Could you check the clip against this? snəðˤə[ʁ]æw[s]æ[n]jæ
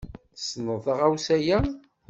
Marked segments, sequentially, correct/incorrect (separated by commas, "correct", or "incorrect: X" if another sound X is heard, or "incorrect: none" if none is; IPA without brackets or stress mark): correct, correct, incorrect: none